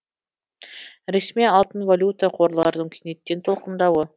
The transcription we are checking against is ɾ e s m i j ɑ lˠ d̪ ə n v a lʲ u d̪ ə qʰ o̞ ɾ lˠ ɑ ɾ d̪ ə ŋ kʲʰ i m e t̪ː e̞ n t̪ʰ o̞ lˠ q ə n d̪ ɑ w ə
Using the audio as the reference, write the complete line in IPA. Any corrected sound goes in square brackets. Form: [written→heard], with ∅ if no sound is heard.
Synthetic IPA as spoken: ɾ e s m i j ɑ lˠ [d̪→t̪] ə n v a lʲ u [d̪→t̪] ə qʰ o̞ ɾ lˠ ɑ ɾ d̪ ə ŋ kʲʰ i [m→n] e t̪ː e̞ n t̪ʰ o̞ lˠ q ə n d̪ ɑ w ə

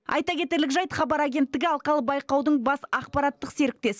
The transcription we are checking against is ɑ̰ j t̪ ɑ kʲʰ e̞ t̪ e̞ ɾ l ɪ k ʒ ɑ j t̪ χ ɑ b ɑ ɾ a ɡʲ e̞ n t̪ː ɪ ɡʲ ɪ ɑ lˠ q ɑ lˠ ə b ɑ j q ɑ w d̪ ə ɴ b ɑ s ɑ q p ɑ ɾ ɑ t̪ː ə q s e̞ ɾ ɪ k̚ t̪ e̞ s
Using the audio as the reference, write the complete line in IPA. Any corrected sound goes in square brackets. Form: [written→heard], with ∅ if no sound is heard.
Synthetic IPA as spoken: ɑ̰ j t̪ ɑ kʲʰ e̞ t̪ e̞ ɾ l ɪ k ʒ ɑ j t̪ χ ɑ b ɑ ɾ a ɡʲ e̞ n t̪ː ɪ ɡʲ ɪ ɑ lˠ q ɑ lˠ ə b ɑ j q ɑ w d̪ ə ɴ b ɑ s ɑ q p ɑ ɾ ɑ t̪ː ə q s e̞ ɾ ɪ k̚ t̪ e̞ s

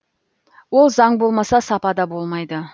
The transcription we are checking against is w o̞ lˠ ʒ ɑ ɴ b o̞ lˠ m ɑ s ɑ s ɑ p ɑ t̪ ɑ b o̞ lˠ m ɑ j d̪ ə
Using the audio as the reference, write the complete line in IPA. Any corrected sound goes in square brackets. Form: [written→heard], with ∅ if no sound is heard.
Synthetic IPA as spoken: w o̞ lˠ [ʒ→z] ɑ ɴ b o̞ lˠ m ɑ s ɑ s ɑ p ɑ [t̪→d̪] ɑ b o̞ lˠ m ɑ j d̪ ə

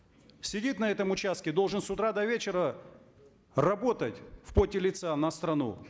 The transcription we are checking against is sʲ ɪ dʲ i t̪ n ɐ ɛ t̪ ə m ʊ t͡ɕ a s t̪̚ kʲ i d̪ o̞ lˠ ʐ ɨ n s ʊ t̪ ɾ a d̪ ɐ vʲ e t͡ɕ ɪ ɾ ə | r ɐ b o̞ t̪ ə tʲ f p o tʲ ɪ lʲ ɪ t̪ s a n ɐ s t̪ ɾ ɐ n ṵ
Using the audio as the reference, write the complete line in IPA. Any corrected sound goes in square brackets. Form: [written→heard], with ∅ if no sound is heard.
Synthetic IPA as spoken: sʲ ɪ dʲ i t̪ n ɐ ɛ t̪ ə m ʊ t͡ɕ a s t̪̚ kʲ [i→ɪ] d̪ o̞ lˠ ʐ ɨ n s ʊ t̪ ɾ a d̪ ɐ vʲ e t͡ɕ ɪ ɾ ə | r ɐ b o̞ t̪ ə tʲ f p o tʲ ɪ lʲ ɪ t̪ s a n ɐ s t̪ ɾ ɐ n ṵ

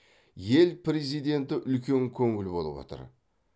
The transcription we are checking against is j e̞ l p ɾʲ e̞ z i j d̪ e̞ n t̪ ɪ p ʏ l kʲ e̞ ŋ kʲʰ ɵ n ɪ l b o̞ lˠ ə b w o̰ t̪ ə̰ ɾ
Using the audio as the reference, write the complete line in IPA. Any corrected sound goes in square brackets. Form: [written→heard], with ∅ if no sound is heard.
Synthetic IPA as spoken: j e̞ l p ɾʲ e̞ z i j d̪ e̞ n t̪ ɪ [p→ʔ] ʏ l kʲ e̞ ŋ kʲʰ ɵ [n→ŋ] ɪ l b o̞ lˠ ə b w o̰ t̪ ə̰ ɾ

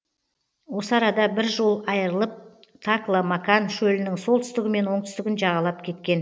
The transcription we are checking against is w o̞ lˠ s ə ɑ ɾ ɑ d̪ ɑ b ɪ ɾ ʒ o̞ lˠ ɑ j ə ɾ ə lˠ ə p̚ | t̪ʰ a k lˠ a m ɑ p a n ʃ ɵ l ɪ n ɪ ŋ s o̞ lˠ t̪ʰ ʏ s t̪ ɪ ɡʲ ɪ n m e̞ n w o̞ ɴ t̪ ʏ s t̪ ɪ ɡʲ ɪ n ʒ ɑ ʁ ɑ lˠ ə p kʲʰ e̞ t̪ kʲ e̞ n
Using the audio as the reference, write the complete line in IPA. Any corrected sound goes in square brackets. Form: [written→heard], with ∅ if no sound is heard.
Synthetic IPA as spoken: w o̞ [lˠ→∅] s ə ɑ ɾ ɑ d̪ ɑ b ɪ ɾ ʒ o̞ lˠ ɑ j ə ɾ ə lˠ ə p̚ | t̪ʰ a k lˠ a m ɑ [p→k] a n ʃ ɵ l ɪ n ɪ ŋ s o̞ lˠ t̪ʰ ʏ s t̪ ɪ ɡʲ ɪ [n→∅] m e̞ n w o̞ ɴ t̪ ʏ s t̪ ɪ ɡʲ ɪ n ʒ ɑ ʁ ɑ lˠ [ə→ɑ] p kʲʰ e̞ t̪ kʲ e̞ n

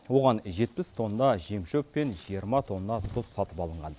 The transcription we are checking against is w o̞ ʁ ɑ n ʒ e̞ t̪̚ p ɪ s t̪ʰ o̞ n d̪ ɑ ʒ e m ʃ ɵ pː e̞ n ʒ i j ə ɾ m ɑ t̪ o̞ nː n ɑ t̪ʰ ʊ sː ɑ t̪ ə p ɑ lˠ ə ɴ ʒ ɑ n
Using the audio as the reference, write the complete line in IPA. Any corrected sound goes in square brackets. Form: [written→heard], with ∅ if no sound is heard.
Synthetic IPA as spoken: w o̞ ʁ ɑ n ʒ e̞ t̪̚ p ɪ s t̪ʰ o̞ n d̪ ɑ ʒ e m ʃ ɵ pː e̞ n ʒ i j ə ɾ m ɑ [t̪→t̪ʰ] o̞ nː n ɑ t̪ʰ ʊ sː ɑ t̪ ə p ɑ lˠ ə ɴ [ʒ→ʁ] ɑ n

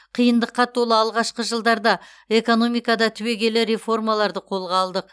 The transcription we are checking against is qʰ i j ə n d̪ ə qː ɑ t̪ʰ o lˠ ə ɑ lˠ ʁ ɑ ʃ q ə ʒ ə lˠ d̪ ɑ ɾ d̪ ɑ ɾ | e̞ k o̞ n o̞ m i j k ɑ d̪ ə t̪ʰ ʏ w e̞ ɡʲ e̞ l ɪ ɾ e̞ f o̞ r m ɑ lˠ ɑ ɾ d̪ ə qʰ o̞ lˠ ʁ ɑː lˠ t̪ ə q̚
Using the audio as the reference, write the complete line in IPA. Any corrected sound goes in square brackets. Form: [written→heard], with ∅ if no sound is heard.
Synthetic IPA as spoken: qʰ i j ə n d̪ ə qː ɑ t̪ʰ o lˠ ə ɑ lˠ ʁ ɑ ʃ q ə ʒ ə lˠ d̪ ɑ ɾ d̪ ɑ [ɾ→∅] | e̞ k o̞ n o̞ m i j k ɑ d̪ [ə→ɑ] t̪ʰ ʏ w e̞ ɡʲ e̞ l ɪ ɾ e̞ f o̞ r m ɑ lˠ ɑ ɾ d̪ ə qʰ o̞ lˠ ʁ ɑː lˠ [t̪→d̪] ə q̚

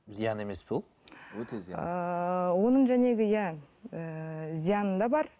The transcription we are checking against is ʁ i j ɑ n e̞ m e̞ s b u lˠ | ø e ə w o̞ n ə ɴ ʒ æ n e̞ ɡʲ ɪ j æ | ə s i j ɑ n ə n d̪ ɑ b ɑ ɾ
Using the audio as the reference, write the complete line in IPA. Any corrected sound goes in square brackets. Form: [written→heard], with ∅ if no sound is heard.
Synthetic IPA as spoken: [ʁ→z] i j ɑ n e̞ m e̞ s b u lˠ | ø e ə w o̞ n ə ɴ ʒ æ n e̞ ɡʲ ɪ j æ | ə [s→z] i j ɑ n ə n d̪ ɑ b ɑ ɾ

